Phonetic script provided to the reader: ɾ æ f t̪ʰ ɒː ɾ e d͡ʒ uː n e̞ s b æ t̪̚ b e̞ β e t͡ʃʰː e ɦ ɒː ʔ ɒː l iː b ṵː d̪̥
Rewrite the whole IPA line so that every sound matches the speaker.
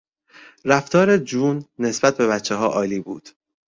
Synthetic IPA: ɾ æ f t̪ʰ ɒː ɾ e d͡ʒ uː nː e̞ s b æ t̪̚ b e̞ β æ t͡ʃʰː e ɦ ɒː ʔ ɒː l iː b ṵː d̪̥